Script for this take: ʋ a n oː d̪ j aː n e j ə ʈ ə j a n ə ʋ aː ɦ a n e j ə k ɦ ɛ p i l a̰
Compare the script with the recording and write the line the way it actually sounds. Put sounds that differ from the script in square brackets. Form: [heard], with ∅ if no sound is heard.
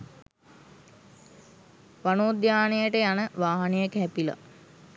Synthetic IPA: ʋ a n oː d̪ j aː n e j ə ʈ ə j a n ə ʋ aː ɦ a n e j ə k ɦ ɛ p i l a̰